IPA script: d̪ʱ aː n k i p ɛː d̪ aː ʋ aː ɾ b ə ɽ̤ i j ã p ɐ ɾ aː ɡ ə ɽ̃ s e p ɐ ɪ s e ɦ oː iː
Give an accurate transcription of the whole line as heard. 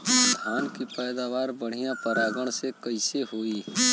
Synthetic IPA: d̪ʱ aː n k i p ɛː d̪ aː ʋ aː ɾ b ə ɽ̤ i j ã p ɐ ɾ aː ɡ ə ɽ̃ s e k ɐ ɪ s e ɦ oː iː

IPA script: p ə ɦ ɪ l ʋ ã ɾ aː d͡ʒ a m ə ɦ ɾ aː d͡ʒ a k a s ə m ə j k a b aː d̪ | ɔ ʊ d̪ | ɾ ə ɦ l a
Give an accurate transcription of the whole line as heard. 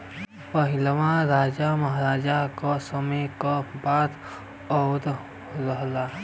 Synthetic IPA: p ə ɦ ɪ l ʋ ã ɾ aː d͡ʒ a m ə ɦ ɾ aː d͡ʒ a k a s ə m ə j k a b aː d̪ | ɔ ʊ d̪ | ɾ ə ɦ l a

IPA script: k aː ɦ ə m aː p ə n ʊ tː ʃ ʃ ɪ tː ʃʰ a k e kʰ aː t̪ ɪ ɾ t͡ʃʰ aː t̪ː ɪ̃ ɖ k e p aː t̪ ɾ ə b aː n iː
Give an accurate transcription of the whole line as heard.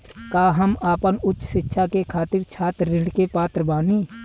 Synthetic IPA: k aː ɦ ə m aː p ə n ʊ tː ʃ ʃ ɪ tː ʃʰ a k e kʰ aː t̪ ɪ ɾ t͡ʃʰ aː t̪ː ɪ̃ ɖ k e p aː t̪ ɾ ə b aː n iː

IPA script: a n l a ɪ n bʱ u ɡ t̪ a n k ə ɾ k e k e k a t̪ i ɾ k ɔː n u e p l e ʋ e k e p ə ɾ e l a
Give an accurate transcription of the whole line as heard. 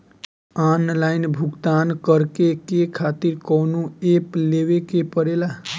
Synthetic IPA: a n l a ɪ n bʱ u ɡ t̪ a n k ə ɾ k e k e kʰ a t̪ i ɾ k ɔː n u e p l e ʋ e k e p ə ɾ e l a

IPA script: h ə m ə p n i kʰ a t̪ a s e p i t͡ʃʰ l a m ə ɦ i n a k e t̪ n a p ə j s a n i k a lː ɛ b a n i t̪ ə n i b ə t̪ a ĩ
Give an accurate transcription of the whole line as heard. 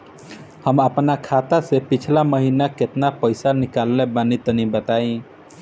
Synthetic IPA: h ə m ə p n a kʰ a t̪ a s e p i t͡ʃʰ l a m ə ɦ i n a k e t̪ n a p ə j s a n i k a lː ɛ b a n i t̪ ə n i b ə t̪ a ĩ

